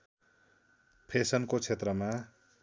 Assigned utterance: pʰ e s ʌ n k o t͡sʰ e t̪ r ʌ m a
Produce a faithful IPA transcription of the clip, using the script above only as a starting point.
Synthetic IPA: pʰ e s ʌ n k o t͡sʰ e t̪ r ʌ m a